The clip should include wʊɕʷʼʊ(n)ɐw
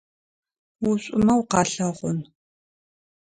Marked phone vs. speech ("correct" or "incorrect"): incorrect